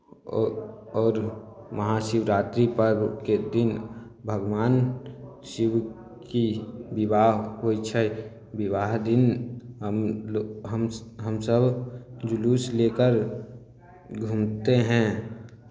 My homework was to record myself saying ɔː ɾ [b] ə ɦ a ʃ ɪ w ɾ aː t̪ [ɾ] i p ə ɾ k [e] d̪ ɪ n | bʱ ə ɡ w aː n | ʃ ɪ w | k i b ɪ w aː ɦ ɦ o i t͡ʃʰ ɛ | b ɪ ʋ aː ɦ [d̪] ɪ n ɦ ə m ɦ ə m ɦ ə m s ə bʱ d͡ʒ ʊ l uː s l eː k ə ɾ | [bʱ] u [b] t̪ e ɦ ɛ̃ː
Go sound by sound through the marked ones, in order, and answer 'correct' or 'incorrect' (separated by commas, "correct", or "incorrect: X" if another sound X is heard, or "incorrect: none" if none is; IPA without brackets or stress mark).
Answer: incorrect: m, correct, correct, correct, incorrect: ɡʱ, incorrect: m